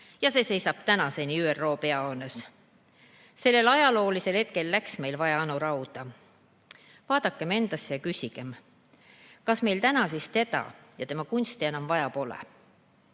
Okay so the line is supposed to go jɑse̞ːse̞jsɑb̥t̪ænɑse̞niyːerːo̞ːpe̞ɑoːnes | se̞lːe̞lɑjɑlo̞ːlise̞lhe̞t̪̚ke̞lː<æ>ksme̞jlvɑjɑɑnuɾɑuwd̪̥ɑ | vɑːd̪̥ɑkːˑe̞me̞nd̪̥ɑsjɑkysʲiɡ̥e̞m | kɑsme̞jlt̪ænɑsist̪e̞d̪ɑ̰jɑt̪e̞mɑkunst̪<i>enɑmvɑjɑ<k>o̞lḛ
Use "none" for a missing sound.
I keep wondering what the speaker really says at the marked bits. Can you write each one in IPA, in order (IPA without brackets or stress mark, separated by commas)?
æ, i, p